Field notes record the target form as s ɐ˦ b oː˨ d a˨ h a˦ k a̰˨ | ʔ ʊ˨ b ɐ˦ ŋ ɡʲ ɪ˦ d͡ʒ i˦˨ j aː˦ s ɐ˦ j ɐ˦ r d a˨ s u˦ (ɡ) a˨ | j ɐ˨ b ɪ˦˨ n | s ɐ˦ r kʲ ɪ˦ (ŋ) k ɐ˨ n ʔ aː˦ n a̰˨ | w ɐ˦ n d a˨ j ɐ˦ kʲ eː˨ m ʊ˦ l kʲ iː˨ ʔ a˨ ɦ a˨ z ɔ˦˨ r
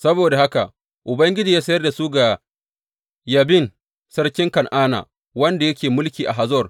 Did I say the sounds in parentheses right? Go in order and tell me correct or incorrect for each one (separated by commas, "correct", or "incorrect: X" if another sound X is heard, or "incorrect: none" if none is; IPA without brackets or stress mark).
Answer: correct, correct